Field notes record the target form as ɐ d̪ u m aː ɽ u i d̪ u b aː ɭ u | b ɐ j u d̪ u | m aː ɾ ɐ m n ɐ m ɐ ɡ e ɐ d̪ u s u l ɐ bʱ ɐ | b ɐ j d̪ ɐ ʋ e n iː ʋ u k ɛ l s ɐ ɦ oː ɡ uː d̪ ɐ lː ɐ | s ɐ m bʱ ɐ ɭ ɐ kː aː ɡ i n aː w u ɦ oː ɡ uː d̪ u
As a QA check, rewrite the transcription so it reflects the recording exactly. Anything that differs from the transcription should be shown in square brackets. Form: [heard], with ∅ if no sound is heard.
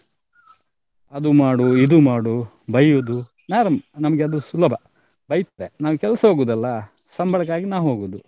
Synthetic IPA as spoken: ɐ d̪ u m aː ɽ u i d̪ u [m] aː [ɽ] u | b ɐ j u d̪ u | [n] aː ɾ ɐ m n ɐ m ɐ ɡ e ɐ d̪ u s u l ɐ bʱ ɐ | b ɐ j [t̪] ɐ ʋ e n [aː] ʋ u k ɛ l s ɐ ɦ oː ɡ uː d̪ ɐ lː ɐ | s ɐ m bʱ ɐ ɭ ɐ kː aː ɡ i n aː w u ɦ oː ɡ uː d̪ u